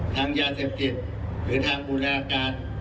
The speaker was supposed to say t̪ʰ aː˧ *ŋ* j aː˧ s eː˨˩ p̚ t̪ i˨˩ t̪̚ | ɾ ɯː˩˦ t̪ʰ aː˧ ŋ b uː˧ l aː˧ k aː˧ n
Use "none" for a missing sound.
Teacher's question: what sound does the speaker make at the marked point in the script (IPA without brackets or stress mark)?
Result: ŋ